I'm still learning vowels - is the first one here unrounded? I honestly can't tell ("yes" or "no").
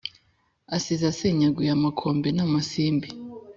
yes